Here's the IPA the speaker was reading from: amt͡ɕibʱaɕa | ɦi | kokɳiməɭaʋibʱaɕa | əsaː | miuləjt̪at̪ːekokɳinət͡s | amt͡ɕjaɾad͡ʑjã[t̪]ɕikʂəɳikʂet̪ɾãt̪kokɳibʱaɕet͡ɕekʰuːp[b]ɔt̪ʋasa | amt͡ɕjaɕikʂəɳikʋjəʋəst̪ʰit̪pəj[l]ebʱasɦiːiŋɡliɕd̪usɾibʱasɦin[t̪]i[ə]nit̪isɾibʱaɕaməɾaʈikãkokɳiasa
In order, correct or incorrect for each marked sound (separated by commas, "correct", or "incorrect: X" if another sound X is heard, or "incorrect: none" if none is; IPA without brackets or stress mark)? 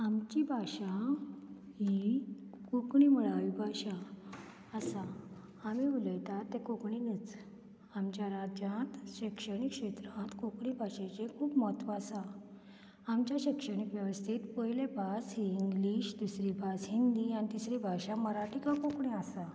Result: correct, incorrect: m, correct, incorrect: d̪, incorrect: a